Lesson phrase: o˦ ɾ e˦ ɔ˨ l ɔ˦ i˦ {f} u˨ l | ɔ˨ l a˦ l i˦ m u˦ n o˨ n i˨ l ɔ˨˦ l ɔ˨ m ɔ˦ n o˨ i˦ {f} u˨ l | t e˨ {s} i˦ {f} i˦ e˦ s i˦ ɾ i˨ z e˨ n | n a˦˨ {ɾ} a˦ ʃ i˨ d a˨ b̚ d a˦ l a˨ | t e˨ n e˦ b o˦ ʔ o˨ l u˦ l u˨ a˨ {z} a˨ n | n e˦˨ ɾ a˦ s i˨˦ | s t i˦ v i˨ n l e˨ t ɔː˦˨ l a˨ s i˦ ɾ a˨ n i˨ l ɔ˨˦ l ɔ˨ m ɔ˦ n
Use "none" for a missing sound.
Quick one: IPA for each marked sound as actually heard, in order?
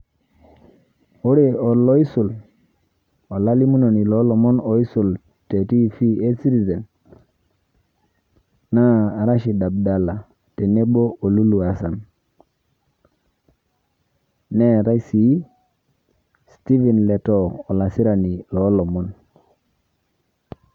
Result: s, s, t, f, ɾ, s

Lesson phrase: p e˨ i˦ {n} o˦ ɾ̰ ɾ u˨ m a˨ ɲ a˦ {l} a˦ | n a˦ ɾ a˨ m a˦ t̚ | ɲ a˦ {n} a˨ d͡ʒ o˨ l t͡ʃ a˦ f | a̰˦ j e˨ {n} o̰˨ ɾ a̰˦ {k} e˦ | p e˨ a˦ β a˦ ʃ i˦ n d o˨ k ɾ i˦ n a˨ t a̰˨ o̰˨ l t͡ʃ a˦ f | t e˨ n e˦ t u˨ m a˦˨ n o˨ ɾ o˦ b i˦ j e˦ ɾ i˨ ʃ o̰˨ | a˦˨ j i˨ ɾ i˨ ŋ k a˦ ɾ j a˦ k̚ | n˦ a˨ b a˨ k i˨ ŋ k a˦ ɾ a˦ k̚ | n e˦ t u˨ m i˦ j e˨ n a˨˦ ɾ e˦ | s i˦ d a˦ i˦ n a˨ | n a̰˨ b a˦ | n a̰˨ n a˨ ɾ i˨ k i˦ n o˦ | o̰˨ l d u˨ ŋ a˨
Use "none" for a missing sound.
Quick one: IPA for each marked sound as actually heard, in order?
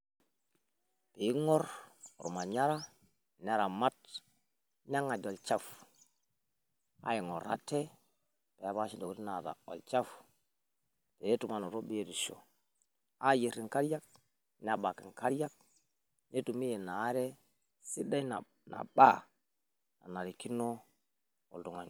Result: ŋ, ɾ, ŋ, ŋ, t

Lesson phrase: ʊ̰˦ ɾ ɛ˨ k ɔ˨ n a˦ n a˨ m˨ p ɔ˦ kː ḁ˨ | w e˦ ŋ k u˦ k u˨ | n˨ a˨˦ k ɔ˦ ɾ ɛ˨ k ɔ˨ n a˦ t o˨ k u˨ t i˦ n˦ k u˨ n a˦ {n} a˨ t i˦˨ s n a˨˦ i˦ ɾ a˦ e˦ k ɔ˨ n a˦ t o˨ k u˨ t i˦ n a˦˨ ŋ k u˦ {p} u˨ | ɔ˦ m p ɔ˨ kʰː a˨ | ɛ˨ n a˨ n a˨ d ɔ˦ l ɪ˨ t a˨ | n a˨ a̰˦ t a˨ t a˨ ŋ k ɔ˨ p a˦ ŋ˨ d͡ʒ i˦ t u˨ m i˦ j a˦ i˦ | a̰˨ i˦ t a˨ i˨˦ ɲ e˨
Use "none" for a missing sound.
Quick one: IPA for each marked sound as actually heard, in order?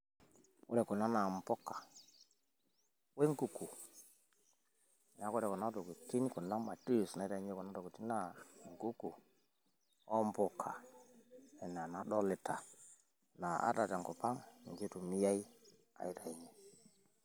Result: m, k

